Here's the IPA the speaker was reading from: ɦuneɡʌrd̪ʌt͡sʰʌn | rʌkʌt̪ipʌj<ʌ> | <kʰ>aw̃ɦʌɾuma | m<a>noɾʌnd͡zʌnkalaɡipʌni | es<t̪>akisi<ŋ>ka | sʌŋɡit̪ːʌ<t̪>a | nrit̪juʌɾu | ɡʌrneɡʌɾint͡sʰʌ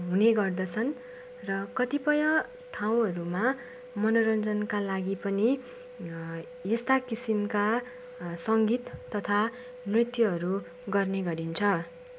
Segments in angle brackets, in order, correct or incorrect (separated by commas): correct, incorrect, incorrect, correct, incorrect, incorrect